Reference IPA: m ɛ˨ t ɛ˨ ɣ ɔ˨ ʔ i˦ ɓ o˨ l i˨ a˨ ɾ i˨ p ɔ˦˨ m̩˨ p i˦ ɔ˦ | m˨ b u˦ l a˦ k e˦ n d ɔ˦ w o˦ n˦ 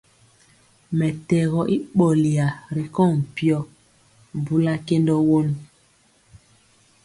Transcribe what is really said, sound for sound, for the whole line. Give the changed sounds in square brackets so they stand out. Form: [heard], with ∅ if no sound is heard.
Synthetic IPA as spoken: m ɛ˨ t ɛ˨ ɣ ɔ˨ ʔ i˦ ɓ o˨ l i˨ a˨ ɾ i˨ [k] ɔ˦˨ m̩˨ p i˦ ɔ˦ | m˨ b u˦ l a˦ k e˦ n d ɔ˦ w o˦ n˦

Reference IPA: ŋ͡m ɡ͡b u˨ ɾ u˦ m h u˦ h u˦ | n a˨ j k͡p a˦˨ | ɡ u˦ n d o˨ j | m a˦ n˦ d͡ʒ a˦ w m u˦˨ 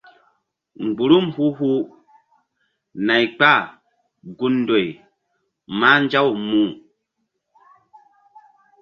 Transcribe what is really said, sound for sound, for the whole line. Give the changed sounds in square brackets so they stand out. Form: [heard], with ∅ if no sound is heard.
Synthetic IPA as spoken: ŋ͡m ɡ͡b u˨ ɾ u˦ m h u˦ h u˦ | n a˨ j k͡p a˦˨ | ɡ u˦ n d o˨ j | m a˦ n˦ d͡ʒ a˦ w m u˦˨

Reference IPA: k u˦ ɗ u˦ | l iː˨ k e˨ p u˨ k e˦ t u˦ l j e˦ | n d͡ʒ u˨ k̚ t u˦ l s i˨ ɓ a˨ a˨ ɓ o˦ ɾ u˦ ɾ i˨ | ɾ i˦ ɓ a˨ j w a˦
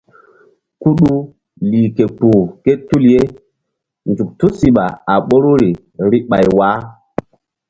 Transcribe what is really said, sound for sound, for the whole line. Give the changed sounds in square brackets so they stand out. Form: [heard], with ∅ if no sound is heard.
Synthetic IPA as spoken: k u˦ ɗ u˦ | l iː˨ k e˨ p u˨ k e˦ t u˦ l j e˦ | n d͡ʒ u˨ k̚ t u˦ [∅] s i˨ ɓ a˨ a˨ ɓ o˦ ɾ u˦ ɾ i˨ | ɾ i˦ ɓ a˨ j w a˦

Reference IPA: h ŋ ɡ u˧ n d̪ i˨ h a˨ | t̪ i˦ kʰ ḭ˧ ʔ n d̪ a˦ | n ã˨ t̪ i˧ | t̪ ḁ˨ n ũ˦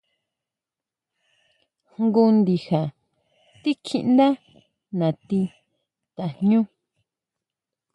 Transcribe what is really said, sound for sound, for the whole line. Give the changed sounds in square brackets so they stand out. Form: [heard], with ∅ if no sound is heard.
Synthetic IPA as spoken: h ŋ ɡ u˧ n d̪ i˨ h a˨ | t̪ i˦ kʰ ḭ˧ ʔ n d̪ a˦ | n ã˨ t̪ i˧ | t̪ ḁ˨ [ɲ] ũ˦

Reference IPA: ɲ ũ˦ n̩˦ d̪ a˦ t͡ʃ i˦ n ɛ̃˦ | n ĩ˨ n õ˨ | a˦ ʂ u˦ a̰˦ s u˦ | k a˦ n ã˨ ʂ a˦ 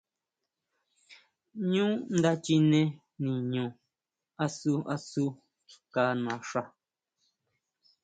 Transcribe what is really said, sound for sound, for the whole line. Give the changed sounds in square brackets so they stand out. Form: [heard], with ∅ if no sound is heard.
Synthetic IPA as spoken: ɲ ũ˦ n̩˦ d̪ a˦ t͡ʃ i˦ n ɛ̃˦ | n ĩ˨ [ɲ] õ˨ | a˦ [s] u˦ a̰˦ s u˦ | k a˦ n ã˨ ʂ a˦

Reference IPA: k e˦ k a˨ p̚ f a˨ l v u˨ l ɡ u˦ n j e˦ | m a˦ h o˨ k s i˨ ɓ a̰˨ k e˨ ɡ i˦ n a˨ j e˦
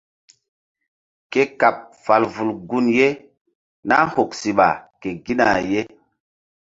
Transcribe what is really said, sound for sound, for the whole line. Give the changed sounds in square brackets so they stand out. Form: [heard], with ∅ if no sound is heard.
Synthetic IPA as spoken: k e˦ k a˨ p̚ f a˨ l v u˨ l ɡ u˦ n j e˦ | [n] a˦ h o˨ k s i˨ ɓ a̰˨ k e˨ ɡ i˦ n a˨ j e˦

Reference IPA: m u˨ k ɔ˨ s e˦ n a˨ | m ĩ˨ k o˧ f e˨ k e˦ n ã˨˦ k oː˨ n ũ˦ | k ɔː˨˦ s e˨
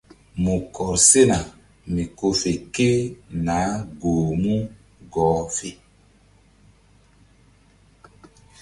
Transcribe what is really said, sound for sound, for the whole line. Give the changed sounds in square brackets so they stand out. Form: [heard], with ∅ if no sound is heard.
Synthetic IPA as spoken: m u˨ k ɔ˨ s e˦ n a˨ | m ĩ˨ k o˧ f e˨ k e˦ n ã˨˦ [ɡ] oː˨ [m] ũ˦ | [ɡ] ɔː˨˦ [f] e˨

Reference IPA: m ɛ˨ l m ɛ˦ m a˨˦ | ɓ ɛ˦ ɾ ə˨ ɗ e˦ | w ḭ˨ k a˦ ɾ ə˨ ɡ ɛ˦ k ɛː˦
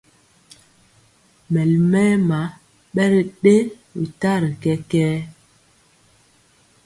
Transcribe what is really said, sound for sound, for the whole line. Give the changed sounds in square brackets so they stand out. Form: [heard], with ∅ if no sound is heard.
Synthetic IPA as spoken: m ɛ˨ l m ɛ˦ m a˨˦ | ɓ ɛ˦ ɾ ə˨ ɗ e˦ | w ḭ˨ [t] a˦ ɾ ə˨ [k] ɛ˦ k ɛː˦

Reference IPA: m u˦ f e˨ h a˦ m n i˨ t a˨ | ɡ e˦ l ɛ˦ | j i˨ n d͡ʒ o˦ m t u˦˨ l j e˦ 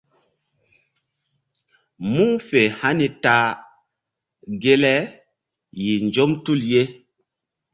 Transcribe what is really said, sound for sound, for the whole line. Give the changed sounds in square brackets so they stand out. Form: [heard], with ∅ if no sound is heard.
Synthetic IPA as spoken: m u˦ f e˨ h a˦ [∅] n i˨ t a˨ | ɡ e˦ l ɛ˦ | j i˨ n d͡ʒ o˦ m t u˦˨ l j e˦

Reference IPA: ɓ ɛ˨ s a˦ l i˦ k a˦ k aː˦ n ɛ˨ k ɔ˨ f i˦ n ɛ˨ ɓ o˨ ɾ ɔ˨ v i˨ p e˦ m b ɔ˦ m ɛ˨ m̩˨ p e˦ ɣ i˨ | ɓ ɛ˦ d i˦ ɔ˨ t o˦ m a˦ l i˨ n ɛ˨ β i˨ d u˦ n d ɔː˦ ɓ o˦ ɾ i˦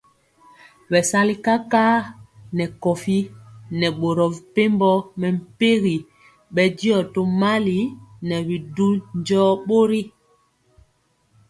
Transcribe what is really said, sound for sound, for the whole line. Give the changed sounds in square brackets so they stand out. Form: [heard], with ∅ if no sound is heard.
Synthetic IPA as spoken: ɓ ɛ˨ s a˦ l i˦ k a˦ k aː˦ n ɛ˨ k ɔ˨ f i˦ n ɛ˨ ɓ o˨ ɾ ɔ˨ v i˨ p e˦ m b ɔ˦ m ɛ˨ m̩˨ p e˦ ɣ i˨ | ɓ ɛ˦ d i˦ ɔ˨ t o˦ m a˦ l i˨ n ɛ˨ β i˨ d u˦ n [d͡ʒ] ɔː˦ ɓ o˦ ɾ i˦

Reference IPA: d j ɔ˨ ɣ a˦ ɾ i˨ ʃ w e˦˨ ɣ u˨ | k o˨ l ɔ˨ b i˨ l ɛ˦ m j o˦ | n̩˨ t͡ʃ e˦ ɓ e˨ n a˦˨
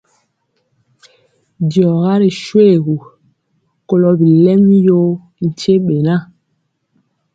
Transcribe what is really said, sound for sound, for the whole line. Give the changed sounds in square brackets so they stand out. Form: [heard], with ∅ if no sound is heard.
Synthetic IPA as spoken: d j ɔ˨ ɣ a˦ ɾ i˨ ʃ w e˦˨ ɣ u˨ | k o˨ l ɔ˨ b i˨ l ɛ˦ m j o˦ | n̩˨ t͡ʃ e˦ ɓ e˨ n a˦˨

